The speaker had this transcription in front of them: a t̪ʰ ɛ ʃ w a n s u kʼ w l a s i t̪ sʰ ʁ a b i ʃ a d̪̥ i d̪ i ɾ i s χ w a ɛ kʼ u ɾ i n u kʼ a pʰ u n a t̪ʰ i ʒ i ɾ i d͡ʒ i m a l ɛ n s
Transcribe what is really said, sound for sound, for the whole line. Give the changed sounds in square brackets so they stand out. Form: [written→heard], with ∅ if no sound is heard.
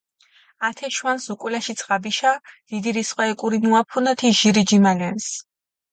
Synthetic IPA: a t̪ʰ ɛ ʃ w a n s u kʼ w l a [s→ʃ] i t̪ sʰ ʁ a b i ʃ a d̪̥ i d̪ i ɾ i s χ w a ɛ kʼ u ɾ i n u [kʼ→∅] a pʰ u n a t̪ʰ i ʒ i ɾ i d͡ʒ i m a l ɛ n s